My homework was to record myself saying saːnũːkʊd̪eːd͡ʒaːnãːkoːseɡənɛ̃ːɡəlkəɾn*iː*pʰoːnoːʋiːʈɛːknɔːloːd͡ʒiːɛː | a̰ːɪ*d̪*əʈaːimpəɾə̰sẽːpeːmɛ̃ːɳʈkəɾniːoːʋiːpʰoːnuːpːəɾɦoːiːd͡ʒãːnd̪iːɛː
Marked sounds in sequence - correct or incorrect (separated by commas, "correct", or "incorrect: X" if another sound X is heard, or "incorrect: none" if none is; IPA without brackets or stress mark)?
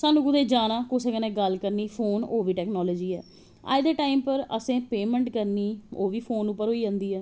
correct, correct